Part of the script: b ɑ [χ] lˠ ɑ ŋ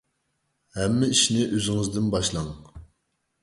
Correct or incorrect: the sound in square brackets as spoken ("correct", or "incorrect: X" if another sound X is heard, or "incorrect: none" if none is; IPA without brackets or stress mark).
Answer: incorrect: ʃ